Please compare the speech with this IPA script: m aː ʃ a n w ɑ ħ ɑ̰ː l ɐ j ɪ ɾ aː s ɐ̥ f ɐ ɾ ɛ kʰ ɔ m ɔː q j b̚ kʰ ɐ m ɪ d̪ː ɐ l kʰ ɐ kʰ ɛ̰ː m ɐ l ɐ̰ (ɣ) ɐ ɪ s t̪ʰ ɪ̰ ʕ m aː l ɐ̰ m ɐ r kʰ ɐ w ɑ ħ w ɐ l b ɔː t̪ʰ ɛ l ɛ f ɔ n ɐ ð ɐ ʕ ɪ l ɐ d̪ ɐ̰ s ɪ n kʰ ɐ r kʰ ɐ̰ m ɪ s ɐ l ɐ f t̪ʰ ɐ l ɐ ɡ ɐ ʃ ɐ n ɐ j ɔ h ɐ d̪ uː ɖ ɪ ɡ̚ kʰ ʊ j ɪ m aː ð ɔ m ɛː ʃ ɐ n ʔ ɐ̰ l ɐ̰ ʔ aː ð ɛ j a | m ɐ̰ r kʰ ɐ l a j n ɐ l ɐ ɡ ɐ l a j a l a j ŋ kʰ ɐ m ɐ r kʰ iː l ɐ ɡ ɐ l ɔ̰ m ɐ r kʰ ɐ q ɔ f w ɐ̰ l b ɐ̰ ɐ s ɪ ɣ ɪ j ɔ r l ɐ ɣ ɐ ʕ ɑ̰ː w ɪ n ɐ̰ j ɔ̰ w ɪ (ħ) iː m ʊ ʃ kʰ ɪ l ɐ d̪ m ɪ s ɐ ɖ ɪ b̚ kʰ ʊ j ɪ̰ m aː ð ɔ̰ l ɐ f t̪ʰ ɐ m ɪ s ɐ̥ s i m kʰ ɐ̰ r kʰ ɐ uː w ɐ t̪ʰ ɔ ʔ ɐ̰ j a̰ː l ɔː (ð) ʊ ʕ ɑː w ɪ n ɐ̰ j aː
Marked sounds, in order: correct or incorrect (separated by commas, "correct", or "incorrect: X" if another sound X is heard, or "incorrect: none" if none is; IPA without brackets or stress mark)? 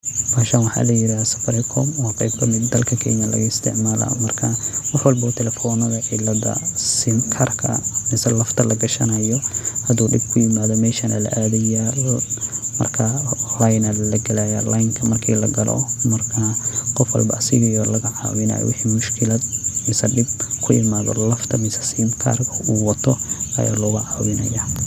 correct, correct, incorrect: ɣ